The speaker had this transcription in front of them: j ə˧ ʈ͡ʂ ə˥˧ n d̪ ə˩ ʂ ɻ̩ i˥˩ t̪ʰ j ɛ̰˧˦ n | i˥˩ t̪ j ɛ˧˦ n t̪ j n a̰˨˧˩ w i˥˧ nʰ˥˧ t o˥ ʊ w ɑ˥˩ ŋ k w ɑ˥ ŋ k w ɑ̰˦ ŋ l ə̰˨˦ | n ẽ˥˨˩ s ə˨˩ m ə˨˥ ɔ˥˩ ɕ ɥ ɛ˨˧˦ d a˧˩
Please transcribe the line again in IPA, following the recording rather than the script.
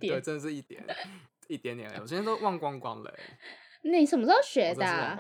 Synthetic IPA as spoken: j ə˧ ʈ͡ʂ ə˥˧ n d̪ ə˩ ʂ ɻ̩ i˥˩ t̪ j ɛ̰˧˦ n | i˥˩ t̪ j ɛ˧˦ n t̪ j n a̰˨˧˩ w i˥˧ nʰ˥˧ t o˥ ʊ w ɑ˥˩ ŋ k w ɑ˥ ŋ k w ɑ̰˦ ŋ l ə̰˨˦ | n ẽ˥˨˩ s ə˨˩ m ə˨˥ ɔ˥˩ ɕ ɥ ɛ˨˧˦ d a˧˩